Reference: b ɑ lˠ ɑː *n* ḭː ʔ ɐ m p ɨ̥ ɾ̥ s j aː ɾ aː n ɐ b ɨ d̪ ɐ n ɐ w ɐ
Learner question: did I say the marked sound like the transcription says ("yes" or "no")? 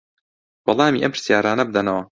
no